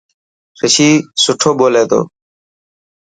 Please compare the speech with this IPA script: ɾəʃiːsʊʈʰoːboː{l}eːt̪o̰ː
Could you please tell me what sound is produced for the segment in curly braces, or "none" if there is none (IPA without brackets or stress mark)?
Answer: l